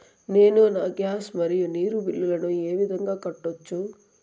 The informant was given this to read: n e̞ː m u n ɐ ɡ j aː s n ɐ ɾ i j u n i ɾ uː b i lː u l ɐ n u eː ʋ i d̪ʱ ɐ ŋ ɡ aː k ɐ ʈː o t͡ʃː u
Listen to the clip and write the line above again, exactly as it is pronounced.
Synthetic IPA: n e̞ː n u n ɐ ɡ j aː s m ɐ ɾ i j u n iː ɾ u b i lː u l ɐ n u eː ʋ i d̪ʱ ɐ ŋ ɡ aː k ɐ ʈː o t͡ʃː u